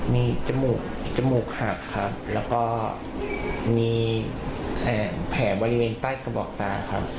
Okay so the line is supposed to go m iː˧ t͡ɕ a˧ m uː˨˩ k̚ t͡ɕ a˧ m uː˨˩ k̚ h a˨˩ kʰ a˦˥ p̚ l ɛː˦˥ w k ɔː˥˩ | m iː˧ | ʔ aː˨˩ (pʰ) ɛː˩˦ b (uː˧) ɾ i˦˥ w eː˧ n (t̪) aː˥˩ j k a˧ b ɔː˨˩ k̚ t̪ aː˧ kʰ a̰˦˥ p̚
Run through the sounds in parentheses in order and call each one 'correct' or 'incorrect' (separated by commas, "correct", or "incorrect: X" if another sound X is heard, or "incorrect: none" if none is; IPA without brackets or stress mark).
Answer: correct, incorrect: ɔː˧, correct